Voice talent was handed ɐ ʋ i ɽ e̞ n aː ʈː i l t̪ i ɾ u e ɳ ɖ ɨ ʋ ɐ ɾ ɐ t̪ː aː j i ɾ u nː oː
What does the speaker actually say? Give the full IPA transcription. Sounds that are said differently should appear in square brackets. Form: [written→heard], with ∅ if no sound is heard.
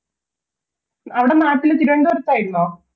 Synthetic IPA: ɐ ʋ i ɽ e̞ n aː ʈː i l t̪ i ɾ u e ɳ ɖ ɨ ʋ ɐ ɾ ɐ t̪ː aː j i ɾ u nː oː